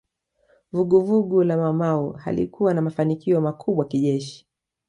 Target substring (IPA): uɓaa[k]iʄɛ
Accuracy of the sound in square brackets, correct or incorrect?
correct